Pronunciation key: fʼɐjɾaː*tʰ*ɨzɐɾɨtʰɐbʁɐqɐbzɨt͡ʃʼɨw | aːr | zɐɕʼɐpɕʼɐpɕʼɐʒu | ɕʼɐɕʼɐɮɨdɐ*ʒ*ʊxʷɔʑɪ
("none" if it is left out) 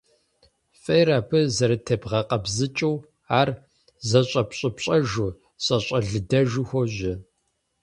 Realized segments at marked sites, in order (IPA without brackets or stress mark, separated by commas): pʰ, ʒ